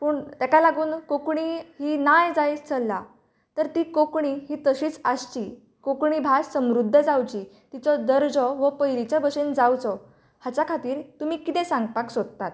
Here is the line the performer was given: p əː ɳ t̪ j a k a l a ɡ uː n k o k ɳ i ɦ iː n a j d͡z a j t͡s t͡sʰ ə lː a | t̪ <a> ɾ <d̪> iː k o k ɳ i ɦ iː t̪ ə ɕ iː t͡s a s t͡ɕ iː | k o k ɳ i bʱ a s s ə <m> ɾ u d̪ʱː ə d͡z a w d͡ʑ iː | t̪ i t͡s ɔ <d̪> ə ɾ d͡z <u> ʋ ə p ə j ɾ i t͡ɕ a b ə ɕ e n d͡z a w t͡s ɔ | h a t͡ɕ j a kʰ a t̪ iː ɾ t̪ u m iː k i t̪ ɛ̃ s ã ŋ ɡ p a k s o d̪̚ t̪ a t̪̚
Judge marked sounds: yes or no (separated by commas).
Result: no, no, yes, yes, no